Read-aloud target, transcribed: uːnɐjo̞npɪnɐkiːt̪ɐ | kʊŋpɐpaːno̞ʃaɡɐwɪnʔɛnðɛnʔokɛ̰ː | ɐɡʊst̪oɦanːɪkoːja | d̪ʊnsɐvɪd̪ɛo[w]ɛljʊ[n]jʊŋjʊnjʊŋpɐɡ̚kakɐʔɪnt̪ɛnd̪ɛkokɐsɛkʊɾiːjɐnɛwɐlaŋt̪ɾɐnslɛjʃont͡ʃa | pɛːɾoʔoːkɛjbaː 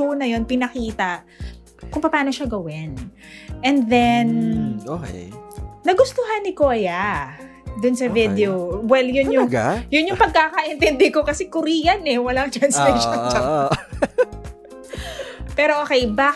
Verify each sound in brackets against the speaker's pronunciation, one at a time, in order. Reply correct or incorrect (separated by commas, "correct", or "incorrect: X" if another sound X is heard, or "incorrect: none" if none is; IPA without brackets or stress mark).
correct, correct